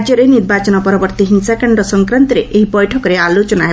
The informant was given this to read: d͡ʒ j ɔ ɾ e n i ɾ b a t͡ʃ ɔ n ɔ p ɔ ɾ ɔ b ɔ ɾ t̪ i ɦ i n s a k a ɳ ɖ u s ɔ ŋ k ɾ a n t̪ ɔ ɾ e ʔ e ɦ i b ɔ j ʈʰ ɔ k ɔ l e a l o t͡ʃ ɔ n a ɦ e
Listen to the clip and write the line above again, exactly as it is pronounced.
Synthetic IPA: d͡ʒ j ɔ ɾ e n i ɾ b a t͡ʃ ɔ n ɔ p ɔ ɾ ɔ b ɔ ɾ t̪ i ɦ i n s a k a ɳ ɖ ɔ s ɔ ŋ k ɾ a n t̪ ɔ ɾ e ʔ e ɦ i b ɔ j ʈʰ ɔ k ɔ ɾ e a l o t͡ʃ ɔ n a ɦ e